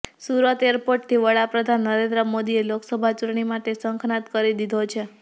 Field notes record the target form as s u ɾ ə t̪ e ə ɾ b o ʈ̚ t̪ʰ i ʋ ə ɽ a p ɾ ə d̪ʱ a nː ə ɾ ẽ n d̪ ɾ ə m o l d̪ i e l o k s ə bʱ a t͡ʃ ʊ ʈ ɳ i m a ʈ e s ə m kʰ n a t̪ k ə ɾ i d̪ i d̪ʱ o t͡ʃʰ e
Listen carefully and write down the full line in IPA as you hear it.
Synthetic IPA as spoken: s u ɾ ə t̪ e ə ɾ p o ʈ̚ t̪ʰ i ʋ ə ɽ a p ɾ ə d̪ʱ a nː ə ɾ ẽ n d̪ ɾ ə m o d̪ i e l o k s ə bʱ a t͡ʃ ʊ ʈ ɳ i m a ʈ e s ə ŋ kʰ n a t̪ k ə ɾ i d̪ i d̪ʱ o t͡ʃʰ e